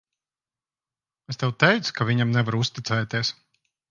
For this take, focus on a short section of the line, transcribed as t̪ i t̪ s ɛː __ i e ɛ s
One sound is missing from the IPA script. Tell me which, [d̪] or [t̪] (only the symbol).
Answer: t̪